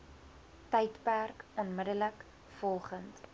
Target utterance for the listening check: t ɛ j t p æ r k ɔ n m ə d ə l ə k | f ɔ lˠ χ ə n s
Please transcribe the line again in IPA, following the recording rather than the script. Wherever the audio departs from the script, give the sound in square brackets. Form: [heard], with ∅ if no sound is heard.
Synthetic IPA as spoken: t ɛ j t p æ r k ɔ n m ə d ə l ə k | f ɔ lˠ χ ə n [t]